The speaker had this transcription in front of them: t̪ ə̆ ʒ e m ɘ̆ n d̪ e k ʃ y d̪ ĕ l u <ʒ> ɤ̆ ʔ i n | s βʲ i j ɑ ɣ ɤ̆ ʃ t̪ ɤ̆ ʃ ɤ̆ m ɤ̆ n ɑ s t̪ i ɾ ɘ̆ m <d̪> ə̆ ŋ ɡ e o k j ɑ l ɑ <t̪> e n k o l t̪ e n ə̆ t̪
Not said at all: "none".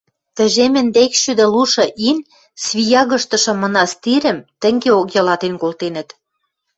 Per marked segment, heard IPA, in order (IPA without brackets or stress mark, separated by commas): ʃ, t̪, t̪